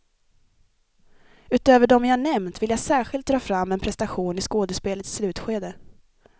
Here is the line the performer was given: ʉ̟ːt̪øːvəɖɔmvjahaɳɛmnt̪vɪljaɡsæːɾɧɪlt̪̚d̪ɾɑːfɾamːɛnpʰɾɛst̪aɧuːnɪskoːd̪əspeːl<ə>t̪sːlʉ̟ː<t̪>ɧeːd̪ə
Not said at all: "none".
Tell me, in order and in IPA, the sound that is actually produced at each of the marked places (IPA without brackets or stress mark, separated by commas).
ə, t̪